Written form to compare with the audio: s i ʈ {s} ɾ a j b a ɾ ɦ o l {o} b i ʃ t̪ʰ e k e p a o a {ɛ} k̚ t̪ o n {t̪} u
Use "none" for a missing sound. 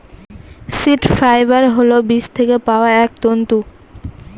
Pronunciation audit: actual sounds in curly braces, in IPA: f, o, ɛ, t̪

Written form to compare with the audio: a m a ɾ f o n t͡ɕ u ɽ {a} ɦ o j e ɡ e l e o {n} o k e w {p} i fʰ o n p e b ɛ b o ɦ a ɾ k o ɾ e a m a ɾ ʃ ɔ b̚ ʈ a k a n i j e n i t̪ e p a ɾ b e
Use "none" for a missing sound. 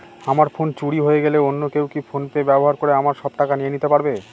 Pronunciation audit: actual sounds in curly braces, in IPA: i, nː, k

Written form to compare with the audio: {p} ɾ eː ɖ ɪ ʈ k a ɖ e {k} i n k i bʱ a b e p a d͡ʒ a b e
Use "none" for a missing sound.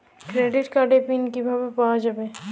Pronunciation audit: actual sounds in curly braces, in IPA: k, p

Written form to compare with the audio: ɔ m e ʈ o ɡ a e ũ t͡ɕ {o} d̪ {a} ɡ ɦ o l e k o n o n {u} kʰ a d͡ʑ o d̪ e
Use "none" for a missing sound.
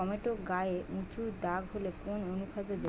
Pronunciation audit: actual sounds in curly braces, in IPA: u, a, u

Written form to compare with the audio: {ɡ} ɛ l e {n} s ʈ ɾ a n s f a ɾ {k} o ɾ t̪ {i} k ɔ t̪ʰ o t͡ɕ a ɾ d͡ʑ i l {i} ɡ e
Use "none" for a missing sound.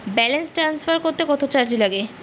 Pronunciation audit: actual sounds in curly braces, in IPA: b, n, k, e, a

